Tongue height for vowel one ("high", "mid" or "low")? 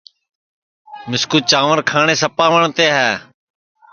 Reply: high